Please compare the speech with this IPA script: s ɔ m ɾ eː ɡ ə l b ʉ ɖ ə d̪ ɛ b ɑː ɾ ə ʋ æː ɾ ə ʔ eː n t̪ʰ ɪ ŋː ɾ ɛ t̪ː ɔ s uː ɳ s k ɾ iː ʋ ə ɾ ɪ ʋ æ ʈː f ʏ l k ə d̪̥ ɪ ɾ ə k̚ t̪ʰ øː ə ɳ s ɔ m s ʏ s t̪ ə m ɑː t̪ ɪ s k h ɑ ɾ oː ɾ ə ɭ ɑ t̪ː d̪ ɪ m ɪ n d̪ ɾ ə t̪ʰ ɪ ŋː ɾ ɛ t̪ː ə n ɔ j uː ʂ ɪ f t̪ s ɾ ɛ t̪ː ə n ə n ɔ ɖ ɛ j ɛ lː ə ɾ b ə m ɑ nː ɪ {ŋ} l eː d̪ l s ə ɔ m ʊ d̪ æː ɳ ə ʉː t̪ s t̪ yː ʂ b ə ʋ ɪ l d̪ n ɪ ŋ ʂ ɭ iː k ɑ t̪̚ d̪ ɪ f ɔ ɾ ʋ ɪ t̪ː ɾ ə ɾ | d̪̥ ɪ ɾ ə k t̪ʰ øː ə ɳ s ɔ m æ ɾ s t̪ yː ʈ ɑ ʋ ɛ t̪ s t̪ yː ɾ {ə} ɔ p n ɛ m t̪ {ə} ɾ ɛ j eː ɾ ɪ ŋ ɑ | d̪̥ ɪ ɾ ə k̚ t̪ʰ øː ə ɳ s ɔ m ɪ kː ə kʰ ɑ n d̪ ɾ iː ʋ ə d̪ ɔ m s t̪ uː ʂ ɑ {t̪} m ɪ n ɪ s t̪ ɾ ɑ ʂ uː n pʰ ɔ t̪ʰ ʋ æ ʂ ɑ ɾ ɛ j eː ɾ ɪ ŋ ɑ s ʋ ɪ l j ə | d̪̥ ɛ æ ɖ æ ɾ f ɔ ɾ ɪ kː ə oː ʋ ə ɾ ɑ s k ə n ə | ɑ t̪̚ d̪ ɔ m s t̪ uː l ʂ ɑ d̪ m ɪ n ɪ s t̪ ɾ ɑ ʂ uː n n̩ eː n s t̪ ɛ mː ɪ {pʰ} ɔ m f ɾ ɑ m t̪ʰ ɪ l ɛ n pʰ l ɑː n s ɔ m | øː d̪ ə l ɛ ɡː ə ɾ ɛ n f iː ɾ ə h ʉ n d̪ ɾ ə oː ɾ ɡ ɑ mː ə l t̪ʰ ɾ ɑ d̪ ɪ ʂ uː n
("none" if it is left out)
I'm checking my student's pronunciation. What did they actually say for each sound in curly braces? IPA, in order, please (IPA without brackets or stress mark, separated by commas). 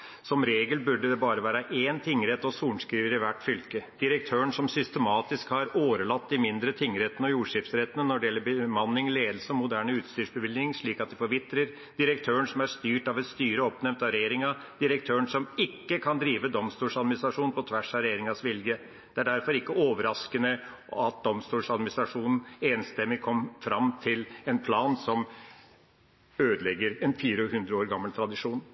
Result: ŋ, ə, ɑ, d̪, kʰ